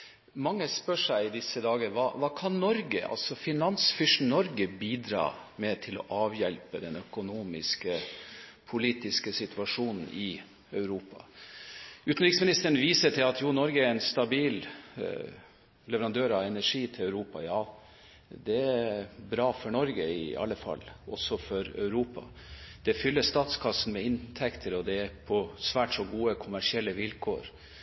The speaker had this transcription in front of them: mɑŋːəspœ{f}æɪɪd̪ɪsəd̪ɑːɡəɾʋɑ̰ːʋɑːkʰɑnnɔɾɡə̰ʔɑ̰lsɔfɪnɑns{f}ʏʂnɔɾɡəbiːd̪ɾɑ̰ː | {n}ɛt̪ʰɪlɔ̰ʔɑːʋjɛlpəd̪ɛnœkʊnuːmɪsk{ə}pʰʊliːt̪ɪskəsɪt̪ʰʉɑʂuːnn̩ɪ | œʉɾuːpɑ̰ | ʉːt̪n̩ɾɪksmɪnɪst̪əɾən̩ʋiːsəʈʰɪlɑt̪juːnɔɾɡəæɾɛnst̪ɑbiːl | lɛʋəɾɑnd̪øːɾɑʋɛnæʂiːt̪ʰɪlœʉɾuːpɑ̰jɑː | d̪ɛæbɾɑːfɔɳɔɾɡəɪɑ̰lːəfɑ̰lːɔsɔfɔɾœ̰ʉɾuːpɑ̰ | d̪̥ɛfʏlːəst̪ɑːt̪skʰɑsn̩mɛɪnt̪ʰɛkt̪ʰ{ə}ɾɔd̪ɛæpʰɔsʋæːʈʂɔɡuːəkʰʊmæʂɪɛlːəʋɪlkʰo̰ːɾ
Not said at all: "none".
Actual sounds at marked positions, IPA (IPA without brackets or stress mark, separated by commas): ʂ, f, m, ə, ə